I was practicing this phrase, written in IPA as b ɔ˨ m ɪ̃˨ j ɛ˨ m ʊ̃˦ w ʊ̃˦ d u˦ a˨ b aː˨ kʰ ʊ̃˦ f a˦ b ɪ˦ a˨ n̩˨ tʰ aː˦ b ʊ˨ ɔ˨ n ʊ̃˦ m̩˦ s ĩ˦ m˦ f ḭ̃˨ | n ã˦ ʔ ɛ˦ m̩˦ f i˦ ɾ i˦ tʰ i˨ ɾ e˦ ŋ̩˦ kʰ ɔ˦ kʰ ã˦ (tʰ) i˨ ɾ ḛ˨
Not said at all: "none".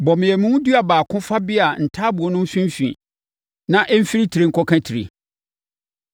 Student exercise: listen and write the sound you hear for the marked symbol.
tʰ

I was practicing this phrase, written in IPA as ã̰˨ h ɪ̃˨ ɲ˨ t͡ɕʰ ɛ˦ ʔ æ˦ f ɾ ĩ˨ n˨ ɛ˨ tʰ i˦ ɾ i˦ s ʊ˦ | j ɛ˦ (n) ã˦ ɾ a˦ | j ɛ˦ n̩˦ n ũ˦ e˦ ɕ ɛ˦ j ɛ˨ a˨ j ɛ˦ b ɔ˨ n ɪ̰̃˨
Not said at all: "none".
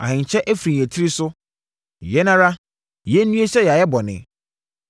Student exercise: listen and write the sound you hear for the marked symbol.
n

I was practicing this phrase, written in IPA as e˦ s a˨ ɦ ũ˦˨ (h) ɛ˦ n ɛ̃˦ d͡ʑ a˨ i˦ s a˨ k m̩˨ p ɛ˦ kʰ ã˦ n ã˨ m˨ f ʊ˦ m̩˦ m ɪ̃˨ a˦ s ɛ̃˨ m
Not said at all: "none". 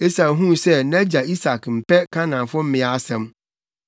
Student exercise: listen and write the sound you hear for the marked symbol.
s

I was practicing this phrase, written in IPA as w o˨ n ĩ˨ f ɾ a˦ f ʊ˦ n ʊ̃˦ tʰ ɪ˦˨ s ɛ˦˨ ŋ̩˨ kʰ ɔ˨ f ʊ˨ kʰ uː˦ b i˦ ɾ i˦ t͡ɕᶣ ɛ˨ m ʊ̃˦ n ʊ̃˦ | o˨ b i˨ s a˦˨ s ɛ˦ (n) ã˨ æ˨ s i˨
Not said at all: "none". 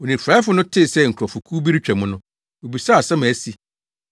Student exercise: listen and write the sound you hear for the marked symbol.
m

